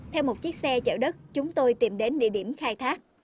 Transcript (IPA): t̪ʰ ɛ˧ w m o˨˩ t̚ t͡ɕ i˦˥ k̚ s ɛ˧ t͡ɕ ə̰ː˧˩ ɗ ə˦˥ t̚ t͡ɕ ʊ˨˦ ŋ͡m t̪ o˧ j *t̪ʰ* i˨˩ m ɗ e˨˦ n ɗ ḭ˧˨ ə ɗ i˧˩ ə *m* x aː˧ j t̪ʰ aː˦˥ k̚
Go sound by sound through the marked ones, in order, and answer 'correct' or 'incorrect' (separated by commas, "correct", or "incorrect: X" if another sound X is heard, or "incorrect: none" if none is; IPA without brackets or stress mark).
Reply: incorrect: t̪, correct